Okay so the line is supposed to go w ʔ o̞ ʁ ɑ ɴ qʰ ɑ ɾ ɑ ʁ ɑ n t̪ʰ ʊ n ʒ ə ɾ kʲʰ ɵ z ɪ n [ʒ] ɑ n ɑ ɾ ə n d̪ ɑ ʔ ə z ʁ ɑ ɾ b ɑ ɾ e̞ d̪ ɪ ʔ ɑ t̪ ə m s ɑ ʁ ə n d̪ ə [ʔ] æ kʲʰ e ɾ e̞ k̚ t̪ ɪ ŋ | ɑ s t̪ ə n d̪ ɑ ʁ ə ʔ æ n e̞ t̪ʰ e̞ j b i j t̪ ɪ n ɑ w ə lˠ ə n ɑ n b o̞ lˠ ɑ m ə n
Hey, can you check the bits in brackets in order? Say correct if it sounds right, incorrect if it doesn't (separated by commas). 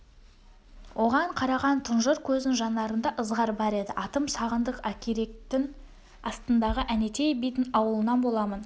correct, incorrect